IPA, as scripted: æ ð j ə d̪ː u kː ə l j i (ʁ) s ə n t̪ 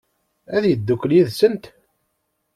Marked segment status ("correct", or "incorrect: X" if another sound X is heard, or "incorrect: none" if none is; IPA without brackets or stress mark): incorrect: ð